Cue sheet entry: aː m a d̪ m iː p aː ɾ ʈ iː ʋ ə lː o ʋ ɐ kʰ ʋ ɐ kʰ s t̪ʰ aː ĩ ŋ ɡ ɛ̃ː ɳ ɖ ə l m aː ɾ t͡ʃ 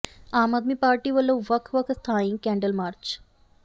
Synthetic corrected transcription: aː m a d̪ m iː p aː ɾ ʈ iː ʋ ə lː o ʋ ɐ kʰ ʋ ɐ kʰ s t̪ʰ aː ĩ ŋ k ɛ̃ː ɳ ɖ ə l m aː ɾ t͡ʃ